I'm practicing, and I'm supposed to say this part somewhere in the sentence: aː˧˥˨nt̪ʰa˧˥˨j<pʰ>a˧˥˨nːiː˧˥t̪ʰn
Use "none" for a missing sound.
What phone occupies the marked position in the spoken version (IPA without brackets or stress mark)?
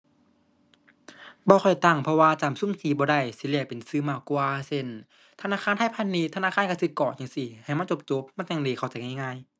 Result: pʰ